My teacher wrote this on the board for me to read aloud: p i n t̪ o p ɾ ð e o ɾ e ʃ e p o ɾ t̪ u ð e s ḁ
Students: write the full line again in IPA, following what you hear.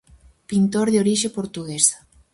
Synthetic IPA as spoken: p i n t̪ o ɾ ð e o ɾ i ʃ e p o ɾ t̪ u ɣ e s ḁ